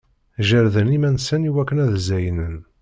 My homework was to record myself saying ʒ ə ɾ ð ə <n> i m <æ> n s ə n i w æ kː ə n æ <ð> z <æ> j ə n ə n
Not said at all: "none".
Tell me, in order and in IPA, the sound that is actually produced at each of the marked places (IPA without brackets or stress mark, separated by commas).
n, æ, ð, æ